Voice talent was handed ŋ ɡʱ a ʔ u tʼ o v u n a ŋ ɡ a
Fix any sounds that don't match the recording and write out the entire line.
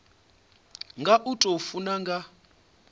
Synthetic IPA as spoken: ŋ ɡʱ a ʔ u tʼ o f u n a ŋ ɡ a